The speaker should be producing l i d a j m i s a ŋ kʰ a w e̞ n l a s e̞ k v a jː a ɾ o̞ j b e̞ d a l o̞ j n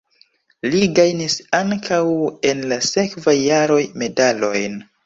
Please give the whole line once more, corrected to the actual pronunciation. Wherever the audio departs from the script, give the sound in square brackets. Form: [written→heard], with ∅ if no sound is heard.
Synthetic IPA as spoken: l i [d→ɡ] a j [m→n] i s a ŋ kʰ a w e̞ n l a s e̞ k v a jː a ɾ o̞ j [b→m] e̞ d a l o̞ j n